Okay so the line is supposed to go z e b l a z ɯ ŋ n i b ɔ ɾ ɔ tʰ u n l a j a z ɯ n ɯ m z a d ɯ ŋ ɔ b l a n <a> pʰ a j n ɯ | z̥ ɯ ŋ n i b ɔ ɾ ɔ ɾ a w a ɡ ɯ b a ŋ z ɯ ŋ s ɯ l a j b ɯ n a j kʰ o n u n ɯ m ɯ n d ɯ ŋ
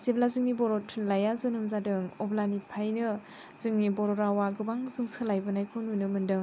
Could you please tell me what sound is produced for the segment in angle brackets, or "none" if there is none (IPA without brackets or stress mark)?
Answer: i